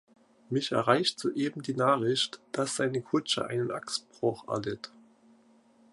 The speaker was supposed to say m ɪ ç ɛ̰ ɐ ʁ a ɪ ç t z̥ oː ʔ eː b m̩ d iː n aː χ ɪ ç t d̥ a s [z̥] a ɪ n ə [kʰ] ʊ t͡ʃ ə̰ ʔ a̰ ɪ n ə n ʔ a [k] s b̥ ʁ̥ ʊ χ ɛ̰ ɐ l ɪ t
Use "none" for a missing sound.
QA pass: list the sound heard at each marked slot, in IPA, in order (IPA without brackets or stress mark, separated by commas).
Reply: z̥, kʰ, k